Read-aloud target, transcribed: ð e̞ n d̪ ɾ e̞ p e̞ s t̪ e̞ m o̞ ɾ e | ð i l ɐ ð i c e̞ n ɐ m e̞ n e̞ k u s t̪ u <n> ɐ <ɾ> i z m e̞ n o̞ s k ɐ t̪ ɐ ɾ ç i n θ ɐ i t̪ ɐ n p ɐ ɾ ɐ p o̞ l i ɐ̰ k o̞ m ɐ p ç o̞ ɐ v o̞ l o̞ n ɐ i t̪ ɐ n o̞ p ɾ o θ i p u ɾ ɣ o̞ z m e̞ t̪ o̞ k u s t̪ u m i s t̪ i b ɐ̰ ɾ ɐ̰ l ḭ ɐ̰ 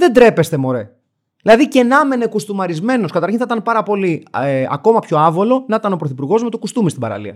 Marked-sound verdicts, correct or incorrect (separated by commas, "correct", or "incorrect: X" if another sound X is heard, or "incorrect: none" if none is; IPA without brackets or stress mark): incorrect: m, correct